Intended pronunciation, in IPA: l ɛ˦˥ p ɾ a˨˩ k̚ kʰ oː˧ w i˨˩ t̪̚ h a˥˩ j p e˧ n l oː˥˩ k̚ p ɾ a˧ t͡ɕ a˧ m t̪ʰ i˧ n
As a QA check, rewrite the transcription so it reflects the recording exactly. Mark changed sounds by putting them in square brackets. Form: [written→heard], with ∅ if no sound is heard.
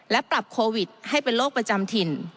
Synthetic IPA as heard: l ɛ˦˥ p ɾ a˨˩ [k̚→p̚] kʰ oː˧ w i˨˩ t̪̚ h a˥˩ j p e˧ n l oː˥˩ k̚ p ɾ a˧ t͡ɕ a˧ m t̪ʰ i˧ n